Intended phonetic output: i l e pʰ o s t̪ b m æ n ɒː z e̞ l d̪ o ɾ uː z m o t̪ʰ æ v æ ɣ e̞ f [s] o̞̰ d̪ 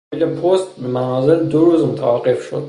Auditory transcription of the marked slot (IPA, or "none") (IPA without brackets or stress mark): ʃ